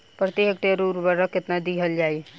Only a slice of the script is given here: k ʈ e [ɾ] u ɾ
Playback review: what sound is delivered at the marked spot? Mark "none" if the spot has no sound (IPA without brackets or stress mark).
ɾ